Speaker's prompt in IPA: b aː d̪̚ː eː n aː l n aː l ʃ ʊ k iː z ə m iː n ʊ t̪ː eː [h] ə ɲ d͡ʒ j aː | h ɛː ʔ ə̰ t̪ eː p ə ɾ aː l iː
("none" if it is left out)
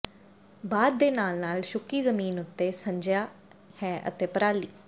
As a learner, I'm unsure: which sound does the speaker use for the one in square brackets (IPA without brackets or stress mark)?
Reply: s